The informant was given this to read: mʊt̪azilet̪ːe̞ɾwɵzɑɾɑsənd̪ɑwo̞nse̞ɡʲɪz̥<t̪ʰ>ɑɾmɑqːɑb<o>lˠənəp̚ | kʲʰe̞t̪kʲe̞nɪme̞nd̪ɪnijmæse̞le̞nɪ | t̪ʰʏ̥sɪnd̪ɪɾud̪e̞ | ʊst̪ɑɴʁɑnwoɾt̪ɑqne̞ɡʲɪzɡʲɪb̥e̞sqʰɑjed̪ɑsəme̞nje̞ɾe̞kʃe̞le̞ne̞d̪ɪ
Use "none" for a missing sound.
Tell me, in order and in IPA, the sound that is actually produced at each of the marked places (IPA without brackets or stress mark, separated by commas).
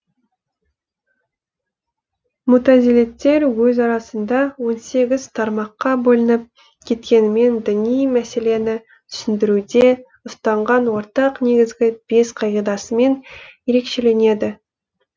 t̪ʰ, o